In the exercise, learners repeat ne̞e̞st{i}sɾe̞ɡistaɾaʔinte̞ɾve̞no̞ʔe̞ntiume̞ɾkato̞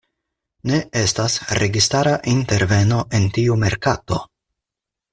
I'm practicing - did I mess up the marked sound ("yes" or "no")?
yes